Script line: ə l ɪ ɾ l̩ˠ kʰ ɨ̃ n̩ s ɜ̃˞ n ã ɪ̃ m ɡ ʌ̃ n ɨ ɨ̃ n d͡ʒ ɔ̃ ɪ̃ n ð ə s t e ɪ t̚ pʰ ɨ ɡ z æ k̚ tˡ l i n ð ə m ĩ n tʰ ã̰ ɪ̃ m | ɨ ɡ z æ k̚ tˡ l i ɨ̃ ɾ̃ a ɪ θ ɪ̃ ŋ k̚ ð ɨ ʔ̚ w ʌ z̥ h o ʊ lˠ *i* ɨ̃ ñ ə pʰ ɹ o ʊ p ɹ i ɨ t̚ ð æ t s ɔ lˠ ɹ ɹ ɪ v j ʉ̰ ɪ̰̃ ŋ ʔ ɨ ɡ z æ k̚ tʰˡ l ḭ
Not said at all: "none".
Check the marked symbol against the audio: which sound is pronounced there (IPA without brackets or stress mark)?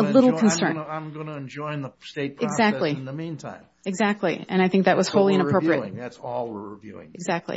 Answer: i